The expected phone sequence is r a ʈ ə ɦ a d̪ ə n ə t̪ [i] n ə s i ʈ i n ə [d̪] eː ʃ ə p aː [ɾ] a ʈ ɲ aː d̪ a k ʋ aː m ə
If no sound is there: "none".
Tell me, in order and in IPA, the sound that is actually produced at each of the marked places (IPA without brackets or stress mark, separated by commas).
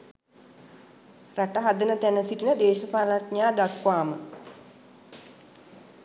æ, d̪, l